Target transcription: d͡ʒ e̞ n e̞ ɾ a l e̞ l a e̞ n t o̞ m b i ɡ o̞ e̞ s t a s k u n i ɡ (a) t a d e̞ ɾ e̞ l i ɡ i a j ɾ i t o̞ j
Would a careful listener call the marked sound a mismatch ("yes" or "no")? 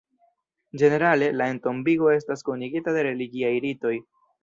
yes